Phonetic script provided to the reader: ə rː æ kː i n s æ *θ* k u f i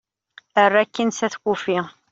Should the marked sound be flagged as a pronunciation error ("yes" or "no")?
no